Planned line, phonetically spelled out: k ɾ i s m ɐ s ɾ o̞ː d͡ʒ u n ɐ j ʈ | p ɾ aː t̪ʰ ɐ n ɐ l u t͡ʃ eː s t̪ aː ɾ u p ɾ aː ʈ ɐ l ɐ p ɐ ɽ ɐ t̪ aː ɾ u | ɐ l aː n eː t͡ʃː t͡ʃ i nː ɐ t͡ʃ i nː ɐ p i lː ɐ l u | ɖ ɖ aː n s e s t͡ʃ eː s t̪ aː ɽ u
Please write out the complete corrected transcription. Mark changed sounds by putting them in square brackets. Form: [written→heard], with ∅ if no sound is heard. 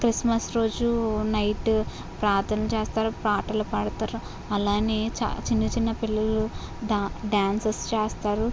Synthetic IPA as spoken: k ɾ i s m ɐ s ɾ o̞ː d͡ʒ u n ɐ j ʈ | p ɾ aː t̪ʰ ɐ n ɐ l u t͡ʃ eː s t̪ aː ɾ u p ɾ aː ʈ ɐ l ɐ p ɐ ɽ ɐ t̪ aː ɾ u | ɐ l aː n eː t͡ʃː t͡ʃ i nː ɐ t͡ʃ i nː ɐ p i lː ɐ l u | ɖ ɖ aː n s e s t͡ʃ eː s t̪ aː [ɽ→ɾ] u